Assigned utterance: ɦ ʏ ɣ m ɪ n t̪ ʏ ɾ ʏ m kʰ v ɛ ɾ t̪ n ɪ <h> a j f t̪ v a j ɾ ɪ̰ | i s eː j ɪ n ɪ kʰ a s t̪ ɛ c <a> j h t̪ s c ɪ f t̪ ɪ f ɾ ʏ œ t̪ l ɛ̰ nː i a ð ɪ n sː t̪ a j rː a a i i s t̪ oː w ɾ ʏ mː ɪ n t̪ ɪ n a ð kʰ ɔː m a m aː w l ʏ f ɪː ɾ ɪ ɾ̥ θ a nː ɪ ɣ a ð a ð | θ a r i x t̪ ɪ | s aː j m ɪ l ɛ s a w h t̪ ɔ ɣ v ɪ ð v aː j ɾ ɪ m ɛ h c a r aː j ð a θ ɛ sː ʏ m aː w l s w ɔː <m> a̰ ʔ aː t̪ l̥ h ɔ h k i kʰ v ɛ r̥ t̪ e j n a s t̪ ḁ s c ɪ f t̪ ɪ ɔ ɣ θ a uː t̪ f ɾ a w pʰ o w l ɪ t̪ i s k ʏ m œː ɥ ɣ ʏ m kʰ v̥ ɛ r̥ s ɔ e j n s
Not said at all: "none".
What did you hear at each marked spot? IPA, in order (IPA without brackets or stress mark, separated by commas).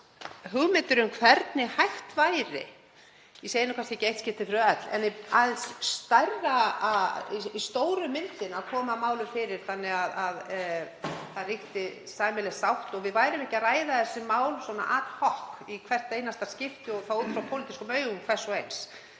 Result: h, e, n